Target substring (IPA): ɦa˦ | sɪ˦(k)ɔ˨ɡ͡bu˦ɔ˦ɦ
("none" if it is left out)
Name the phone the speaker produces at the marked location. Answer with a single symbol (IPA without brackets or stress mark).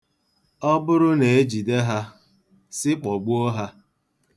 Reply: k͡p